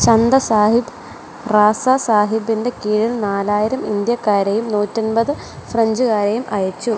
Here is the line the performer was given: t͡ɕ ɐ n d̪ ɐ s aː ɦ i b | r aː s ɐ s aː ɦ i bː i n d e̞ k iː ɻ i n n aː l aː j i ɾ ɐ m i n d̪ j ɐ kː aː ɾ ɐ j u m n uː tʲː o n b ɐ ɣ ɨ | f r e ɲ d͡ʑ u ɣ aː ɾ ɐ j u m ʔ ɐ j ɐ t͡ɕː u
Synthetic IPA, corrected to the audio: t͡ɕ ɐ n d̪ ɐ s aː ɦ i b | r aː s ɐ s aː ɦ i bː i n d e̞ k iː ɻ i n n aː l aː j i ɾ ɐ m i n d̪ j ɐ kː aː ɾ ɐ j u m n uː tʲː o n b ɐ ð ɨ | f r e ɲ d͡ʑ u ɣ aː ɾ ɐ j u m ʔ ɐ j ɐ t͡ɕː u